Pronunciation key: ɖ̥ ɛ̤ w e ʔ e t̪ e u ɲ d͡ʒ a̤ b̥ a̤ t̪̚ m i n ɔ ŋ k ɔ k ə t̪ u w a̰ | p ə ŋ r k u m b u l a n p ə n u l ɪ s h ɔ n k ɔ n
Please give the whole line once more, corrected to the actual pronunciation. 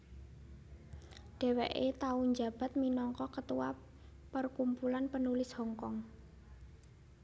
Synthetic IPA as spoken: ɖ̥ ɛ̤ w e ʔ e t̪ a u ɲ d͡ʒ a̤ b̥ a̤ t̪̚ m i n ɔ ŋ k ɔ k ə t̪ u w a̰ | p ə r k u m p u l a n p ə n u l ɪ s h ɔ ŋ k ɔ ŋ

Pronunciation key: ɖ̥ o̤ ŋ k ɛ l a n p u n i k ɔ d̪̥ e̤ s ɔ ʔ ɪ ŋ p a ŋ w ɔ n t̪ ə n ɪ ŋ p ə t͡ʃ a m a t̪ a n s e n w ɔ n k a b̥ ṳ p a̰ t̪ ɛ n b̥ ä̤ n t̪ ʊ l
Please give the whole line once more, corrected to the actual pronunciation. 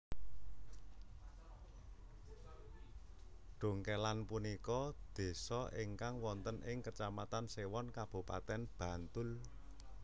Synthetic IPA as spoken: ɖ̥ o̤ ŋ k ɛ l a n p u n i k ɔ d̪̥ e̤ s ɔ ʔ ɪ ŋ k a ŋ w ɔ n t̪ ə n ɪ ŋ k ə t͡ʃ a m a t̪ a n s e w ɔ n k a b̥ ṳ p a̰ t̪ ɛ n b̥ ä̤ n t̪ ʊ l

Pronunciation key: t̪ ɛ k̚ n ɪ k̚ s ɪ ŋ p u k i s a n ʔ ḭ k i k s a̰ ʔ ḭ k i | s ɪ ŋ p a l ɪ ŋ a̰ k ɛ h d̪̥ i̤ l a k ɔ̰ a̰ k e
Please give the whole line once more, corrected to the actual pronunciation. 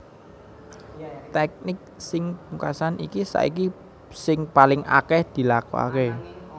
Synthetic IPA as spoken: t̪ ɛ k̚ n ɪ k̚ s ɪ ŋ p u k a s a n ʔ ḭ k i s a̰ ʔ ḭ k i | s ɪ ŋ p a l ɪ ŋ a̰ k ɛ h d̪̥ i̤ l a k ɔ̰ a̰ k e

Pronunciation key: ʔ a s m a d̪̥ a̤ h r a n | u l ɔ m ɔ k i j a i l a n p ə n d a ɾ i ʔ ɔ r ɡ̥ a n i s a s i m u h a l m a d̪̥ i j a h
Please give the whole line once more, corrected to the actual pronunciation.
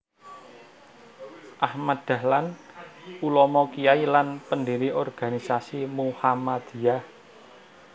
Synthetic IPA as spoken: ʔ a h m a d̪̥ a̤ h l a n | u l ɔ m ɔ k i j a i l a n p ə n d i ɾ i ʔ ɔ r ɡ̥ a n i s a s i m u h a m a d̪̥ i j a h

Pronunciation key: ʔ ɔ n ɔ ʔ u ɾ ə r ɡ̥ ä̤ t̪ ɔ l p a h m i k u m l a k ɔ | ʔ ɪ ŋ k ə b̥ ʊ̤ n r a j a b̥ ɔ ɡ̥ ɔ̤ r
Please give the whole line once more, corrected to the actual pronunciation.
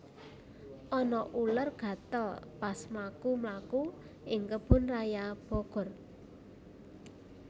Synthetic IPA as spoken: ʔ ɔ n ɔ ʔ u l ə r ɡ̥ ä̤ t̪ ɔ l p a s m a k u m l a k u | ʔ ɪ ŋ k ə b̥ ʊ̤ n r a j a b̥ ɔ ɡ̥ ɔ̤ r

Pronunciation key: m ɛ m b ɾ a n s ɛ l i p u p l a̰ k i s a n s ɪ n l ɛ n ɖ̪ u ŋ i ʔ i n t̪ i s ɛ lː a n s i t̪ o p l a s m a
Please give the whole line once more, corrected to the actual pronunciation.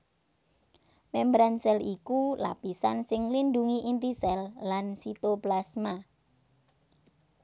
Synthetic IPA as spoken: m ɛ m b ɾ a n s ɛ l i k u l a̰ p i s a n s ɪ ŋ l i n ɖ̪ u ŋ i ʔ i n t̪ i s ɛ lː a n s i t̪ o p l a s m a

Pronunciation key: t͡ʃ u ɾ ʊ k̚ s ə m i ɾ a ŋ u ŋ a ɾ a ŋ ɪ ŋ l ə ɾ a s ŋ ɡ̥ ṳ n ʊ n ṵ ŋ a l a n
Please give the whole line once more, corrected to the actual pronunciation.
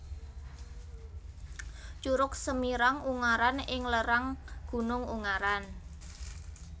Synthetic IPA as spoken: t͡ʃ u ɾ ʊ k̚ s ə m i ɾ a ŋ u ŋ a ɾ a n ɪ ŋ l ə ɾ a ŋ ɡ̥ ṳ n ʊ ŋ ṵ ŋ a ɾ a n

